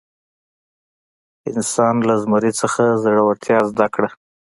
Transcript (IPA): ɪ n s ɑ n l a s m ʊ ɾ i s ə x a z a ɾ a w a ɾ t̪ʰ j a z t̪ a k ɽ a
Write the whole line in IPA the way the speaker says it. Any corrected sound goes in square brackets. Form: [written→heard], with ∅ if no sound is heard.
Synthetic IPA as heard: ɪ n s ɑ n l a [s→z] m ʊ ɾ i [s→t͡s] ə x a z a [ɾ→ɽ] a w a ɾ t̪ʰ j [a→ɑ] z [t̪→d̪] a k ɽ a

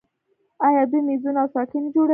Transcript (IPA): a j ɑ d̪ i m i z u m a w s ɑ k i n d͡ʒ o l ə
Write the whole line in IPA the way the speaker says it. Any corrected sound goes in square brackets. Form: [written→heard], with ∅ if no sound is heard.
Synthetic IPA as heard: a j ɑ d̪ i m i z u [m→n] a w s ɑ k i n d͡ʒ o [l→ɽ] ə

